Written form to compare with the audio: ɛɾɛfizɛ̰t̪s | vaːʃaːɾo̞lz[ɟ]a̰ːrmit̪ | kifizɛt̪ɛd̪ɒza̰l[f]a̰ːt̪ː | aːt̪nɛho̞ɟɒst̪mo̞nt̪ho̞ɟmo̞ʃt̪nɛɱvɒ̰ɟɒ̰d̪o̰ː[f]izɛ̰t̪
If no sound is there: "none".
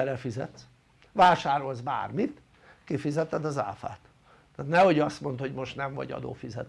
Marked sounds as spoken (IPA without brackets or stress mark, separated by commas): b, f, f